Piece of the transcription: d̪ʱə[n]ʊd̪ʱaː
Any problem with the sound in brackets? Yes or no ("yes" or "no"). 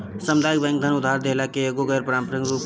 no